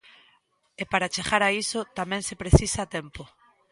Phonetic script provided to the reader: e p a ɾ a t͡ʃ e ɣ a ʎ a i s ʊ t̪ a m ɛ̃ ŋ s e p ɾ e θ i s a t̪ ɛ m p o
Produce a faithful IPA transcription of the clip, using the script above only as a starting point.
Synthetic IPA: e p a ɾ a t͡ʃ e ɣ a ɾ a i s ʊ t̪ a m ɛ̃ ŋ s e p ɾ e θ i s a t̪ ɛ m p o